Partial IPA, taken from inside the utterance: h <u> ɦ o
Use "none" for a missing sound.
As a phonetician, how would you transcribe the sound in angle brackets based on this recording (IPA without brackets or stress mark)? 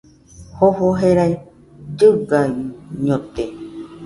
o